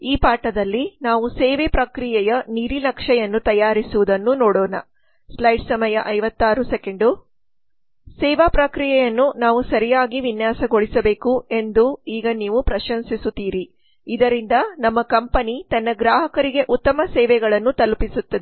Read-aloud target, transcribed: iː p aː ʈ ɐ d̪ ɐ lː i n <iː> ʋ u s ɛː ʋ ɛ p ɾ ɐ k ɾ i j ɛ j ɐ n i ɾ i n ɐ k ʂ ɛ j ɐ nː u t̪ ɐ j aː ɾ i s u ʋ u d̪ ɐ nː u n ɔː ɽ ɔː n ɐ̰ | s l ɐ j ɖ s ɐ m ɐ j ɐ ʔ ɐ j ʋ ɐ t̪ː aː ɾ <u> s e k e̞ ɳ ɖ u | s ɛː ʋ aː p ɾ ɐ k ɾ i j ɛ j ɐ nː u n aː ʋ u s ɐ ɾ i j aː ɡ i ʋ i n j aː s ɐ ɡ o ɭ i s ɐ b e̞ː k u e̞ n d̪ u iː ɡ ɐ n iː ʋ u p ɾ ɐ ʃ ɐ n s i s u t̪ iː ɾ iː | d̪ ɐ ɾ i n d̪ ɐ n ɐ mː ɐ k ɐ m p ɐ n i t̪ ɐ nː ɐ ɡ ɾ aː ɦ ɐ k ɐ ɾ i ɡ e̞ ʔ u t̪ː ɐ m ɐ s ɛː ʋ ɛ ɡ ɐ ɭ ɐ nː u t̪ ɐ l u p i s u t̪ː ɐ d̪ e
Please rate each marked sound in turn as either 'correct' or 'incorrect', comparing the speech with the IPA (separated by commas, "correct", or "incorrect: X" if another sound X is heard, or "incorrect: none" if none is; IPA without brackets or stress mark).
incorrect: aː, correct